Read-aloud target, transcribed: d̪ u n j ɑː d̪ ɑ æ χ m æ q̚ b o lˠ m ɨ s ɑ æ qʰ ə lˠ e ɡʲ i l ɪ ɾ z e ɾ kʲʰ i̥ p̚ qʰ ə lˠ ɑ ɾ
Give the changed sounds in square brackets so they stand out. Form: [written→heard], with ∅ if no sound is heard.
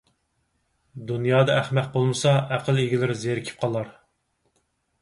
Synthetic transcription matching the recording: d̪ u n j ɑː d̪ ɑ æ χ m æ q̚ b o lˠ m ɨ s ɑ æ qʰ ə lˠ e ɡʲ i l ɪ ɾ z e ɾ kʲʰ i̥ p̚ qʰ [ə→ɑ] lˠ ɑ ɾ